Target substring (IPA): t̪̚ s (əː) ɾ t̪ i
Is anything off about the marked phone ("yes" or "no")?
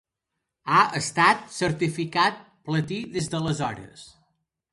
yes